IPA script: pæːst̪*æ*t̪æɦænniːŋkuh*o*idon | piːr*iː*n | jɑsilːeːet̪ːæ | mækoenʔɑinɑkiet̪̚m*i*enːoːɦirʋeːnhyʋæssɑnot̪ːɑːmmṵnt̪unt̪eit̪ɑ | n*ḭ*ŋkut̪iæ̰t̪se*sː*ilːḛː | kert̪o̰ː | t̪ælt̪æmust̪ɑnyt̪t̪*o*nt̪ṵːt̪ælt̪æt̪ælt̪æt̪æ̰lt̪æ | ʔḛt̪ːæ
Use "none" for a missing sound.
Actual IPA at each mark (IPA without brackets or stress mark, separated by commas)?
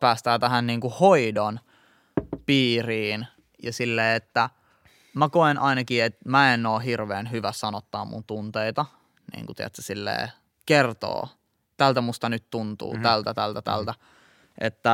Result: æː, o, iː, æ, ḭː, s, u